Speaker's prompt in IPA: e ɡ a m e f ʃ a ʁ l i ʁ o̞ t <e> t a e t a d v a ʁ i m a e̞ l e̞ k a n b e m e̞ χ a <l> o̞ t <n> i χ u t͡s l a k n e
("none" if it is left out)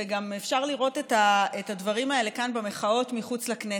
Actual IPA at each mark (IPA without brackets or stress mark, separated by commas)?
e, none, m